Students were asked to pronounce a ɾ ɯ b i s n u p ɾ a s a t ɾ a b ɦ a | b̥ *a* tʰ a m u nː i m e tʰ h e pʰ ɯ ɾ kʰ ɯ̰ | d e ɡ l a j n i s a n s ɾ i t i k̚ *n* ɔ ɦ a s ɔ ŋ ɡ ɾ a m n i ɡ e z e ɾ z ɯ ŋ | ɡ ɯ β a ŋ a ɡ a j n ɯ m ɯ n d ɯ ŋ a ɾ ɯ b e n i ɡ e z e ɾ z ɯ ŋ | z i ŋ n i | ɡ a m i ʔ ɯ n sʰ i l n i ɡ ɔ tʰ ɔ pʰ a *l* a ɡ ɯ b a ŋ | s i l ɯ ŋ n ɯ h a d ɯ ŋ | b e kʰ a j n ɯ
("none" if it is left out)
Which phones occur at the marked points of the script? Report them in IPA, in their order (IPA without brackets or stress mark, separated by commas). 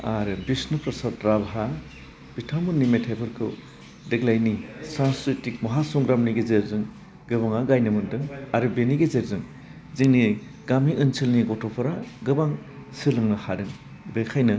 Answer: i, m, ɾ